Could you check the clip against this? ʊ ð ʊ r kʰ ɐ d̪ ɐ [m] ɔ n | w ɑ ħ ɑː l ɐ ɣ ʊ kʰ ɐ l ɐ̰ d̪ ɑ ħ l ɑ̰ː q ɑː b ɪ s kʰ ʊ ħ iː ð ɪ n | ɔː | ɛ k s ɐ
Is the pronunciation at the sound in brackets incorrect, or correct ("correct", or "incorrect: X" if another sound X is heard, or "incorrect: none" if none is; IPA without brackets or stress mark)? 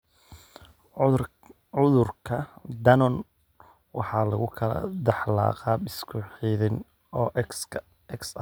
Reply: incorrect: n